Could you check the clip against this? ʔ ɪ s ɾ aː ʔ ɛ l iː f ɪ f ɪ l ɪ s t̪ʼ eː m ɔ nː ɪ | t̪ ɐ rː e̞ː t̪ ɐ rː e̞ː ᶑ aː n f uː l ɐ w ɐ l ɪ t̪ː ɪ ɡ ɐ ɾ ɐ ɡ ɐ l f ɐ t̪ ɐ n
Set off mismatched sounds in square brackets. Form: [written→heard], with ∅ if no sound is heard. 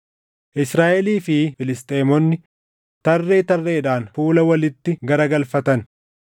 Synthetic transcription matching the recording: ʔ ɪ s ɾ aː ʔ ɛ l iː f ɪ f ɪ l ɪ s t̪ʼ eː m ɔ nː ɪ | t̪ ɐ rː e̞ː t̪ ɐ rː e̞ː ᶑ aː n f uː l ɐ w ɐ l ɪ t̪ː ɪ ɡ ɐ ɾ ɐ ɡ ɐ l f ɐ t̪ ɐ n